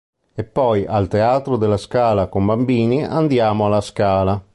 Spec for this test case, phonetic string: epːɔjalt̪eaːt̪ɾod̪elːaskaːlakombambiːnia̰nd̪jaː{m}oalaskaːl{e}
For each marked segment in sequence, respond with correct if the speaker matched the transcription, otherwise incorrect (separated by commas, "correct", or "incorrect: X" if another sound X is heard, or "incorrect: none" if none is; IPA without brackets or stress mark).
correct, incorrect: a